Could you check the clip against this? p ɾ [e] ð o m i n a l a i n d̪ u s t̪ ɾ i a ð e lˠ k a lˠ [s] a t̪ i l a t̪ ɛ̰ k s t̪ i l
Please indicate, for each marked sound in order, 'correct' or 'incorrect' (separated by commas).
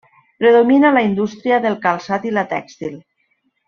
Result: correct, correct